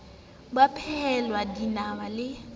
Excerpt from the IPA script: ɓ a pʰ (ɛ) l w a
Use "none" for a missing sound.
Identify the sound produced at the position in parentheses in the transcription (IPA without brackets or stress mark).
ɛ